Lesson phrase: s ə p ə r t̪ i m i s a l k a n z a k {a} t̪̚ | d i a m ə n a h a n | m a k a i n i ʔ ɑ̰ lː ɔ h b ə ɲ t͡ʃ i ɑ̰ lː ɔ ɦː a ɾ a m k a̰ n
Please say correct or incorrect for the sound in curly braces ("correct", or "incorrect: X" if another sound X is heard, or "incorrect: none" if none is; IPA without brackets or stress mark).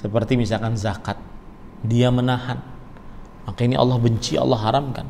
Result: correct